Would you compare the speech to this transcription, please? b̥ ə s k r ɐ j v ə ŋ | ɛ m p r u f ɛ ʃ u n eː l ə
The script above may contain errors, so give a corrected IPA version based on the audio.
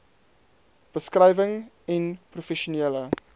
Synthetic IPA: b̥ ə s k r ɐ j v ə ŋ | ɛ n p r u f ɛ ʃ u n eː l ə